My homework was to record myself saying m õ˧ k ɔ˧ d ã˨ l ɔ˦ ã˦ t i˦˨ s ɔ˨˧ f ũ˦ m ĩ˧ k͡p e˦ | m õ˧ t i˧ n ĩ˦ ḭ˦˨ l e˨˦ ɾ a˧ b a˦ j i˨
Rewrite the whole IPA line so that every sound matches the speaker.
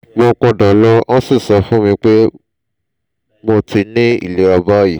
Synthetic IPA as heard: m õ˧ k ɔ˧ d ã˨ l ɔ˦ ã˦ s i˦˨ s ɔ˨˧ f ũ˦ m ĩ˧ k͡p e˦ | m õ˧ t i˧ n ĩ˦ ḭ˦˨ l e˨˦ ɾ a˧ b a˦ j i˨